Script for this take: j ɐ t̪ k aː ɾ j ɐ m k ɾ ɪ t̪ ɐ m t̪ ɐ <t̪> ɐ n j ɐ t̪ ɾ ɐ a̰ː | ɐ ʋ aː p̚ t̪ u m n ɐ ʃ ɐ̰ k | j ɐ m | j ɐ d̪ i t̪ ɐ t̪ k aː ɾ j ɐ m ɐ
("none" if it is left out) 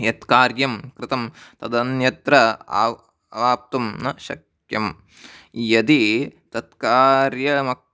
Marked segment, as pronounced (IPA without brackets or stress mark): d̪